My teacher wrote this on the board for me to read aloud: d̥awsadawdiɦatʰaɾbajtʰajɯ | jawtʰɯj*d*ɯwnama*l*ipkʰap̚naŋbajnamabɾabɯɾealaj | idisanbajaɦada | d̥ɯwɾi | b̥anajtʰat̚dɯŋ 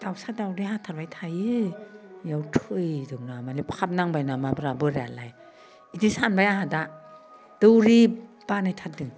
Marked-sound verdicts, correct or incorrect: correct, correct

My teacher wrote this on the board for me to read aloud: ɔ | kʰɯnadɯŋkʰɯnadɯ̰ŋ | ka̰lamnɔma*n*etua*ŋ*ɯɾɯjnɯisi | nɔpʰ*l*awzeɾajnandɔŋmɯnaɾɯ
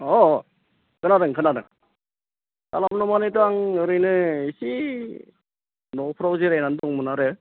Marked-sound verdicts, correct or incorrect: correct, correct, incorrect: ɾ

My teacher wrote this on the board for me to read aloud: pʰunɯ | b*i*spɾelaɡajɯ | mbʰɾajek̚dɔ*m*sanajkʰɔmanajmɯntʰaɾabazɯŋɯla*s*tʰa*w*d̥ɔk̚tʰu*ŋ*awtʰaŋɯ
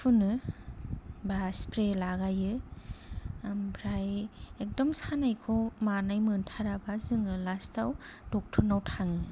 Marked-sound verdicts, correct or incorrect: incorrect: a, correct, correct, correct, incorrect: n

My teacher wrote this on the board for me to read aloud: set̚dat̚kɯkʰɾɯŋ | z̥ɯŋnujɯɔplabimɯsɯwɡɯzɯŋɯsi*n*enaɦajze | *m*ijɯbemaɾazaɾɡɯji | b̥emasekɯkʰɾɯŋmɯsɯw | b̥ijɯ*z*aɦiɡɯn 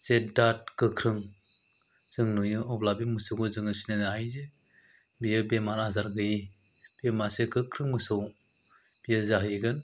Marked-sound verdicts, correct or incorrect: correct, incorrect: b, correct

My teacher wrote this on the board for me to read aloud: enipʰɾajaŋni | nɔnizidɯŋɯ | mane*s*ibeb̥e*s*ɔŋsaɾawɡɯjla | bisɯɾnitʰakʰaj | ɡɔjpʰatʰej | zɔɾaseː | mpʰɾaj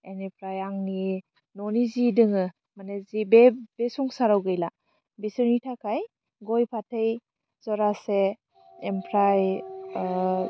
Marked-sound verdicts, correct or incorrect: incorrect: z, correct

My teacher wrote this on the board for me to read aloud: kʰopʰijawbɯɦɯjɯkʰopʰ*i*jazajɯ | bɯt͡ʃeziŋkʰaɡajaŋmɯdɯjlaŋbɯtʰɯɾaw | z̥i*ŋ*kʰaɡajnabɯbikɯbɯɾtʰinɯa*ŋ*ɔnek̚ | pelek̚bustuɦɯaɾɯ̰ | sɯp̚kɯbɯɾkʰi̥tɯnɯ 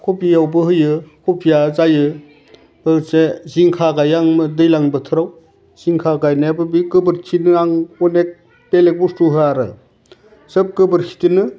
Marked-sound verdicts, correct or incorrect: correct, correct, correct

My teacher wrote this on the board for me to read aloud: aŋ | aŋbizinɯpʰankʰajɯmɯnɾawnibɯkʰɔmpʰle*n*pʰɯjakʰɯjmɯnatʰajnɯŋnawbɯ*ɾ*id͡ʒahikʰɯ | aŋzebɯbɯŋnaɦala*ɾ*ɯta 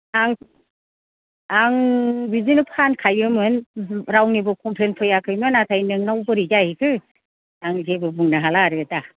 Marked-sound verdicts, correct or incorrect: correct, correct, correct

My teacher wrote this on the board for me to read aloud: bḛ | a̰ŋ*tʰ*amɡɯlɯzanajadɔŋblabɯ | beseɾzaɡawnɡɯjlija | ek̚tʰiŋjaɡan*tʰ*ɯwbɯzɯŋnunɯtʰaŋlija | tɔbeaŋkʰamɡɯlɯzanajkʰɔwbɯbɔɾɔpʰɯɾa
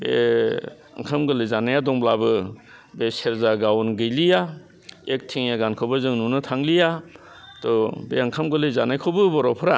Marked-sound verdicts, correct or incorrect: incorrect: kʰ, incorrect: kʰ

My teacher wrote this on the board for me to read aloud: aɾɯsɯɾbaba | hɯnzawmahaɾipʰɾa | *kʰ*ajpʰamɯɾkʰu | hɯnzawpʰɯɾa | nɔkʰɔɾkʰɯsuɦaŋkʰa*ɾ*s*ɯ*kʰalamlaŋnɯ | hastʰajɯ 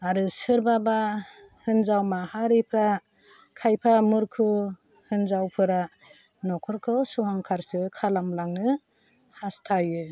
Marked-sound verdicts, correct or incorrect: correct, correct, correct

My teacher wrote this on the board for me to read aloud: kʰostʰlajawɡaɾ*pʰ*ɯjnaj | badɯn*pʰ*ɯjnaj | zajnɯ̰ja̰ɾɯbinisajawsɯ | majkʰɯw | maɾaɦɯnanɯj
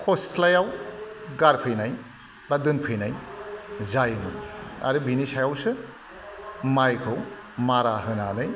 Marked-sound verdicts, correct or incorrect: correct, correct

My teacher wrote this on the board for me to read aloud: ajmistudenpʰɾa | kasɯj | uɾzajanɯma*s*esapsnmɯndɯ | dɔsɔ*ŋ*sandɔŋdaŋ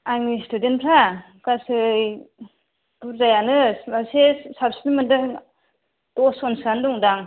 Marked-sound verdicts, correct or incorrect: correct, incorrect: n

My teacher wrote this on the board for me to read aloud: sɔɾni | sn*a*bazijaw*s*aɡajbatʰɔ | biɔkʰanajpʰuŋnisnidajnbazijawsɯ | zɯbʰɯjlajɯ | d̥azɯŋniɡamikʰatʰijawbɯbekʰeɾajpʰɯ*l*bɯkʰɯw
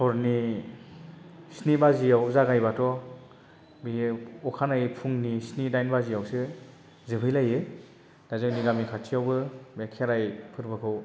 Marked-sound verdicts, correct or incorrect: incorrect: i, incorrect: z, incorrect: ɾ

